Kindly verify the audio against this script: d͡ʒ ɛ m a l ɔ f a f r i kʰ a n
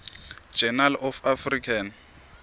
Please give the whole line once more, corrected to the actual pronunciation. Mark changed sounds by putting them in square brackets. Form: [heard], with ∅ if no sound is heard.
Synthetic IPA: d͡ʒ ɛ [n] a l ɔ f a f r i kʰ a n